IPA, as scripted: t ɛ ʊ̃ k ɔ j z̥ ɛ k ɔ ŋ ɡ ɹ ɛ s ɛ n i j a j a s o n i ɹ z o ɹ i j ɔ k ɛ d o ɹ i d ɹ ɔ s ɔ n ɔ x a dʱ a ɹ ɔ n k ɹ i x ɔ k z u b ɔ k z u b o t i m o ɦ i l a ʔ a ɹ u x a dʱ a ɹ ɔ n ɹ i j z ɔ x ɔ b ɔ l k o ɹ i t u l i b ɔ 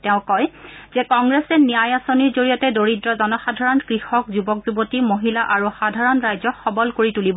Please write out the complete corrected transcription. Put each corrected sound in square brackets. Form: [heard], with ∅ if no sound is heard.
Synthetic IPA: t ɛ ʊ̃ k ɔ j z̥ ɛ k ɔ ŋ ɡ ɹ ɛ s ɛ n i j a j a s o n i ɹ z o ɹ i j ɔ [t] ɛ d o ɹ i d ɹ ɔ [z] ɔ n ɔ x a dʱ a ɹ ɔ n k ɹ i x ɔ k z u b ɔ k z u b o t i m o ɦ i l a ʔ a ɹ u x a dʱ a ɹ ɔ n ɹ [a] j z ɔ x ɔ b ɔ l k o ɹ i t u l i b ɔ

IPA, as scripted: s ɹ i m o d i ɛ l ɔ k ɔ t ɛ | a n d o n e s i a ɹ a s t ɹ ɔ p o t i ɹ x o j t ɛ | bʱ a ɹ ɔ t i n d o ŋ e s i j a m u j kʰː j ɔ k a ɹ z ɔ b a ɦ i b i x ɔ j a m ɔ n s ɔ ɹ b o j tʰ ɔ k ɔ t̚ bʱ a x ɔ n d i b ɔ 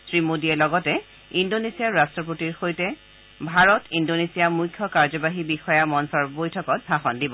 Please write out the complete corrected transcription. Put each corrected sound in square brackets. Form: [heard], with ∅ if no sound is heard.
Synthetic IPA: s ɹ i m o d i ɛ l ɔ [ɡ] ɔ t ɛ | [i] n d o n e s i a ɹ a s t ɹ ɔ p o t i ɹ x o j t ɛ | bʱ a ɹ ɔ t i n d o [n] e s i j a m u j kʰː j ɔ k a ɹ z ɔ b a ɦ i b i x ɔ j a m ɔ n s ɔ ɹ b o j tʰ ɔ k ɔ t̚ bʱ a x ɔ n d i b ɔ

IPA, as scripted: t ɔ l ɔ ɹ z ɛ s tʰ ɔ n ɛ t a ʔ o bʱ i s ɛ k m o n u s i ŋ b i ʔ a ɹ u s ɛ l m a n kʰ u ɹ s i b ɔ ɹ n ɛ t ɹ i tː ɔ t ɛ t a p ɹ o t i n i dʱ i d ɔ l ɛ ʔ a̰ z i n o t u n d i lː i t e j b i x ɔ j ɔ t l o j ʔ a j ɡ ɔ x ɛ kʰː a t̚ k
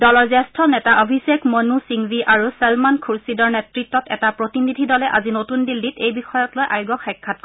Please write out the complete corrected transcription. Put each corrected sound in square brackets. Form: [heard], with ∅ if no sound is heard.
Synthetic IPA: [d] ɔ l ɔ ɹ z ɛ s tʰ ɔ n ɛ t a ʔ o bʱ i s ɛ k m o n u s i ŋ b i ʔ a ɹ u s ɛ l m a n kʰ u ɹ s i [d] ɔ ɹ n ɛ t ɹ i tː ɔ t ɛ t a p ɹ o t i n i dʱ i d ɔ l ɛ ʔ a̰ z i n o t u n d i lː i t e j b i x ɔ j ɔ t l o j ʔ a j ɡ ɔ x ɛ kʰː a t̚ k

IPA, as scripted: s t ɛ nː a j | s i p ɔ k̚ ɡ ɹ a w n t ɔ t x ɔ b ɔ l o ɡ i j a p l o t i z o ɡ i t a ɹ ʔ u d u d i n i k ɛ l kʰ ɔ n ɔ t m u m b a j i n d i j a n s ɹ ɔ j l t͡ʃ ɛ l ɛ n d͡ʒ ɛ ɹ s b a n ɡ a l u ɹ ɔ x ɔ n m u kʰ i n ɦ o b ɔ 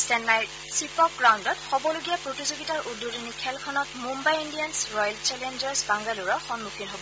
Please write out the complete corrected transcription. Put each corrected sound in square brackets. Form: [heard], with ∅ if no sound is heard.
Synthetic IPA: s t ɛ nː a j | s i p ɔ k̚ ɡ ɹ a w n [d] ɔ t x ɔ b ɔ l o ɡ i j a p [ɹ] o t i z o ɡ i t a ɹ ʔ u d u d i n i [kʰ] ɛ l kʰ ɔ n ɔ t m u m b a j i n d i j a n s ɹ ɔ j l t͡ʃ ɛ l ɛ n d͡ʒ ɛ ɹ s b a [ŋ] ɡ a l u ɹ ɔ x ɔ n m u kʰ i n ɦ o b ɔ

